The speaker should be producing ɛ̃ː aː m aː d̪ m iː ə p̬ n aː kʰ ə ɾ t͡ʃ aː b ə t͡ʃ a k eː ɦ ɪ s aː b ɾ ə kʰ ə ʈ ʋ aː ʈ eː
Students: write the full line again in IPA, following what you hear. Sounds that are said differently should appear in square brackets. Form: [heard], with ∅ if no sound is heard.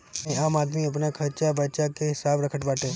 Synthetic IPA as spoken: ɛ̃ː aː m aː d̪ m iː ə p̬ n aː kʰ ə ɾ t͡ʃ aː b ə t͡ʃ a k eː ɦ ɪ s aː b ɾ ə kʰ ə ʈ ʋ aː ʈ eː